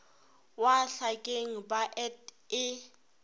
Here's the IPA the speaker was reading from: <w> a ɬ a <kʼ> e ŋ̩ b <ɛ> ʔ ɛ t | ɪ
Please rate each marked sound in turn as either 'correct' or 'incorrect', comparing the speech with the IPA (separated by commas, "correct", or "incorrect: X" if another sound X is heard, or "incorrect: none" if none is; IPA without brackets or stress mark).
correct, correct, incorrect: a